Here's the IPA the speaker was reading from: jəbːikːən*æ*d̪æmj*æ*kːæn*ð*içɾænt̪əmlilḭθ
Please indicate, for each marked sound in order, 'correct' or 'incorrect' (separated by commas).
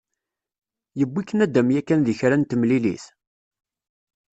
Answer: correct, correct, correct